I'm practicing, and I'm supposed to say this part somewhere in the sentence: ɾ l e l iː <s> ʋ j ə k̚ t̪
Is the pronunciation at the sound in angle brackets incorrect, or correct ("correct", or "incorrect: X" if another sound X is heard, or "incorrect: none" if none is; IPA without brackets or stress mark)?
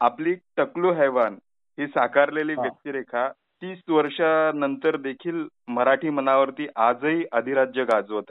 incorrect: none